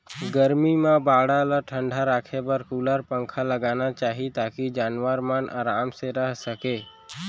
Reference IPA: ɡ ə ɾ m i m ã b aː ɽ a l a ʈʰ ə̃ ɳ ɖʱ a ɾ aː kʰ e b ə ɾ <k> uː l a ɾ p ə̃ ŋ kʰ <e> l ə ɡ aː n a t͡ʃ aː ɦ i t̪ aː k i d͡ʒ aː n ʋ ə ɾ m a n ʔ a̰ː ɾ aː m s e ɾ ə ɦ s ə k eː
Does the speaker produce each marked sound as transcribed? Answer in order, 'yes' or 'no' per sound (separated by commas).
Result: yes, no